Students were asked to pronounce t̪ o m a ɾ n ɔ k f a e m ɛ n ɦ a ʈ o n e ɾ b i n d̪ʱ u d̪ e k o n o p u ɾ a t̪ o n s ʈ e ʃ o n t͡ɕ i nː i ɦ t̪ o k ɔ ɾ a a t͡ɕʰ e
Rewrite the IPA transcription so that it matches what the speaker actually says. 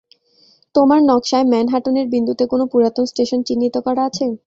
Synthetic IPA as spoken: t̪ o m a ɾ n ɔ k ʃ a e m ɛ n ɦ a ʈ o n e ɾ b i n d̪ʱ u t̪ e k o n o p u ɾ a t̪ o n s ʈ e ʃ o n t͡ɕ i nː i t̪ o k ɔ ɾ a a t͡ɕʰ e

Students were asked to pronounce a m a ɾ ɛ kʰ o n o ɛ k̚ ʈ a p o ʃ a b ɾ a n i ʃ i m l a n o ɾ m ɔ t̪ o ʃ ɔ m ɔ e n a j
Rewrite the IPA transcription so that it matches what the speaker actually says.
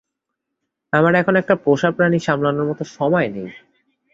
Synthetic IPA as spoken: a m a ɾ ɛ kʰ o n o ɛ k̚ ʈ a p o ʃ a p ɾ a n i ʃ a m l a n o ɾ m ɔ t̪ o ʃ ɔ m ɔ e n e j

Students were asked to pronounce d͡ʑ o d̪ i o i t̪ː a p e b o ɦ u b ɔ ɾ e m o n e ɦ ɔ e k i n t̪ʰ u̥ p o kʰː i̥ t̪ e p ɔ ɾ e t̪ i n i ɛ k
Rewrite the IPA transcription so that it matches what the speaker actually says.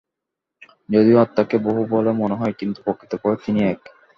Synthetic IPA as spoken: d͡ʑ o d̪ i o a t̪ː a k e b o ɦ u b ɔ l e m o n e ɦ ɔ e k i n t̪ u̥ p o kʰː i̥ t̪ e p ɔ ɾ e t̪ i n i ɛ k

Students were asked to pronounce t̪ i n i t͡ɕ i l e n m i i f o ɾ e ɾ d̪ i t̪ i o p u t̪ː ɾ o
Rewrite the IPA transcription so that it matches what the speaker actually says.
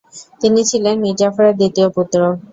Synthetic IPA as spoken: t̪ i n i t͡ɕʰ i l e n m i a f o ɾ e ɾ d̪ i t̪ i o p u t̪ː ɾ o

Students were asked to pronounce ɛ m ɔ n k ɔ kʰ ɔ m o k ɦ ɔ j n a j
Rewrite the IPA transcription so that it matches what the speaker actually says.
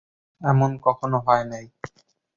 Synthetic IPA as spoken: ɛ m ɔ n k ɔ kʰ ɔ n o ɦ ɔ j n a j

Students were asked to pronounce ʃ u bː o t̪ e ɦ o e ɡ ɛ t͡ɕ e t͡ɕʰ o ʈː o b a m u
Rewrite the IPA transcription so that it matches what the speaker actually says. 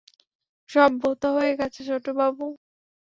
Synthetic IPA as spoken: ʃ ɔ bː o t̪ a ɦ o e ɡ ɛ t͡ɕʰ e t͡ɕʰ o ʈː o b a b u

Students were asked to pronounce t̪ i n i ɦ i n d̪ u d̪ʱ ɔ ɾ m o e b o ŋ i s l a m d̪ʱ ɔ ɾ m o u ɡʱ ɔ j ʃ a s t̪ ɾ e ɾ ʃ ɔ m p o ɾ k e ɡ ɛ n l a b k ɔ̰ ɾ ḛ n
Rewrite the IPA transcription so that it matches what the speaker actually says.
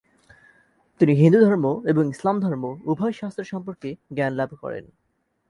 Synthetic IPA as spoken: t̪ i n i ɦ i n d̪ u d̪ʱ ɔ ɾ m o e b o ŋ i s l a m d̪ʱ ɔ ɾ m o u bʱ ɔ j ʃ a s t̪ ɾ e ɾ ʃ ɔ m p o ɾ k e ɡ ɛ n l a b k ɔ̰ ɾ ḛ n

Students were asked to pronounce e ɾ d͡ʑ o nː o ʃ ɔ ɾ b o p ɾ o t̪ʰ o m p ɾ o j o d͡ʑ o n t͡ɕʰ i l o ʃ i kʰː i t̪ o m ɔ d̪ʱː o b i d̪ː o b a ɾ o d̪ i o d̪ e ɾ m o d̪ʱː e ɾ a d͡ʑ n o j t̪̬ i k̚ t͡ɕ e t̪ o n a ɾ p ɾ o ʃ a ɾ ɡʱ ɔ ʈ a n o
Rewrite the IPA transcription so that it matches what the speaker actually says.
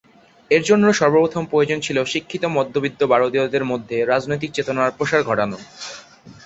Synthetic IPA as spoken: e ɾ d͡ʑ o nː o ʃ ɔ ɾ b o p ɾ o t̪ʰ o m p ɾ o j o d͡ʑ o n t͡ɕʰ i l o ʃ i kʰː i t̪ o m ɔ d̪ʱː o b i d̪ː o b a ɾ o d̪ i o d̪ e ɾ m o d̪ʱː e ɾ a d͡ʑ n o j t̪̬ i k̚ t͡ɕ e t̪ o n a ɾ p ɾ o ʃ a ɾ ɡʱ ɔ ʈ a n o

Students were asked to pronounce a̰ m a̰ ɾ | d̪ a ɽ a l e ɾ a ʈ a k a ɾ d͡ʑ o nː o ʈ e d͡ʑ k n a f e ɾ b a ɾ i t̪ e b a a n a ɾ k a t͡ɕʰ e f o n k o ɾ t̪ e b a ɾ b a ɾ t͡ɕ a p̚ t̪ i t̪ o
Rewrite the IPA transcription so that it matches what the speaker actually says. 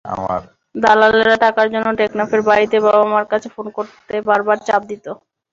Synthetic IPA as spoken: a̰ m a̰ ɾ | d̪ a l a l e ɾ a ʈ a k a ɾ d͡ʑ o nː o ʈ e k n a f e ɾ b a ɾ i t̪ e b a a m a ɾ k a t͡ɕʰ e f o n k o ɾ t̪ e b a ɾ b a ɾ t͡ɕ a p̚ d̪ i t̪ o

